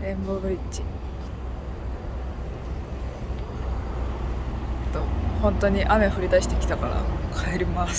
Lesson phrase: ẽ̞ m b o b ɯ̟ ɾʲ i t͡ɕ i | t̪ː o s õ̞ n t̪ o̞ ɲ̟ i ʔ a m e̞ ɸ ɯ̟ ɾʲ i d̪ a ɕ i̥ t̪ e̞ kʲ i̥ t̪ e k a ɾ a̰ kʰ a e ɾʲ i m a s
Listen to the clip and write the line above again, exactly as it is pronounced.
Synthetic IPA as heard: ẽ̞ m b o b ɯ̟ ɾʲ i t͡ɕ i | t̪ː o h õ̞ n t̪ o̞ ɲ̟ i ʔ a m e̞ ɸ ɯ̟ ɾʲ i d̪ a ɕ i̥ t̪ e̞ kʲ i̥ t̪ a k a ɾ a̰ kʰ a e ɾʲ i m a s

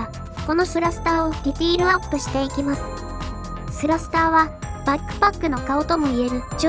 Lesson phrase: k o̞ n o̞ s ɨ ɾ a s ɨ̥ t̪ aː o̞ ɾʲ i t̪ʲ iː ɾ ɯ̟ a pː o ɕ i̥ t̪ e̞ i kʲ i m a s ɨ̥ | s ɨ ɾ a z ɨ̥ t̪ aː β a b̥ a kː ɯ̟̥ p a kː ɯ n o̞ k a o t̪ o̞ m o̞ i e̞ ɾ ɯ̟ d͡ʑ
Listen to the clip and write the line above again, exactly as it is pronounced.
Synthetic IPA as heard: k o̞ n o̞ s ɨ ɾ a s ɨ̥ t̪ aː o̞ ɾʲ i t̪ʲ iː ɾ ɯ̟ a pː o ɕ i̥ t̪ e̞ i kʲ i m a s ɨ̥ | s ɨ ɾ a s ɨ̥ t̪ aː β a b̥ a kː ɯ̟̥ p a kː ɯ n o̞ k a o t̪ o̞ m o̞ i e̞ ɾ ɯ̟ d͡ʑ

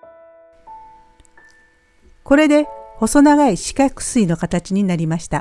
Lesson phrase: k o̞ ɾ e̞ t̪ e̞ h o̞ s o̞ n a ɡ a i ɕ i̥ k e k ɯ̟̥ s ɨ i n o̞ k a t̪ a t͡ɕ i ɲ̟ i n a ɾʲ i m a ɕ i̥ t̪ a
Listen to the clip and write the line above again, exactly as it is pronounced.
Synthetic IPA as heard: k o̞ ɾ e̞ d̪ e̞ h o̞ s o̞ n a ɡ a i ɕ i̥ k a k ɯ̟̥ s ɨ i n o̞ k a t̪ a t͡ɕ i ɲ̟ i n a ɾʲ i m a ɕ i̥ t̪ a

